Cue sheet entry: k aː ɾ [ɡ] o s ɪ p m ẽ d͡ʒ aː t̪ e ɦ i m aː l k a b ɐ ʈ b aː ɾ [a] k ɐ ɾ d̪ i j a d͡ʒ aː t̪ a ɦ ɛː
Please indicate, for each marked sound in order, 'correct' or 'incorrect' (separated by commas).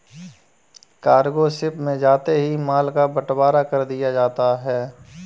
correct, correct